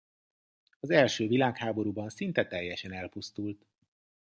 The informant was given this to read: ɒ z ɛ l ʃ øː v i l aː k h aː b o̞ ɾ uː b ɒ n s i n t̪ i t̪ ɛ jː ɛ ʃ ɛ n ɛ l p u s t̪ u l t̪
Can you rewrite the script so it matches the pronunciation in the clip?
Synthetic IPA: ɒ z ɛ l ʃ øː v i l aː k h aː b o̞ ɾ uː b ɒ n s i n t̪ ɛ t̪ ɛ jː ɛ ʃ ɛ n ɛ l p u s t̪ u l t̪